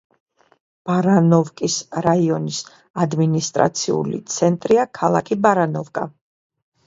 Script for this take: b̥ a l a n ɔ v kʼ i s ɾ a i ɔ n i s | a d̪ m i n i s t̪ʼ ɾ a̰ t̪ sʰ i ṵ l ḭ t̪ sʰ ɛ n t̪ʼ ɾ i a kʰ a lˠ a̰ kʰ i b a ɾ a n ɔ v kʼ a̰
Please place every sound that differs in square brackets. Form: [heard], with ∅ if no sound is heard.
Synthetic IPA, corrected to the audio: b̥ a [ɾ] a n ɔ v kʼ i s ɾ a i ɔ n i s | a d̪ m i n i s t̪ʼ ɾ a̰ t̪ sʰ i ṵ l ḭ t̪ sʰ ɛ n t̪ʼ ɾ i a kʰ a lˠ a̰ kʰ i b a ɾ a n ɔ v kʼ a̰